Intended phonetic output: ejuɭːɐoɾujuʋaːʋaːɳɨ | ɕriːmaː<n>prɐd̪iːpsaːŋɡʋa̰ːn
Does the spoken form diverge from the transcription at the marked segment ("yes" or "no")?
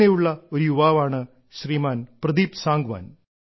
no